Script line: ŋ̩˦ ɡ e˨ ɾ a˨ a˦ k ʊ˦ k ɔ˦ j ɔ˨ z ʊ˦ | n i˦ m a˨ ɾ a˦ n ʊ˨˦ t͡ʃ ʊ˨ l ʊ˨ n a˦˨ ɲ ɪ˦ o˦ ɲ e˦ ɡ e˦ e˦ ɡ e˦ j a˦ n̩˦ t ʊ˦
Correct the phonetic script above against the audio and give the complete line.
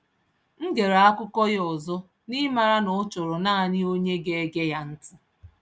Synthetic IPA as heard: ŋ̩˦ ɡ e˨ ɾ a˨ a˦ k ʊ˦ k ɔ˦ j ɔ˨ z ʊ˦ | n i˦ m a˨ ɾ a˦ n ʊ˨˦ t͡ʃ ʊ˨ ɾ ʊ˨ n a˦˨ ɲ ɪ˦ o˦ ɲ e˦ ɡ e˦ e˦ ɡ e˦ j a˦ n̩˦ t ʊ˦